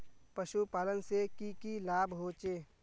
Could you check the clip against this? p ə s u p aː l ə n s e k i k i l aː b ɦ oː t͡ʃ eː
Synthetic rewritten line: p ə ʃ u p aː l ə n s e k i k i l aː b ɦ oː t͡ʃ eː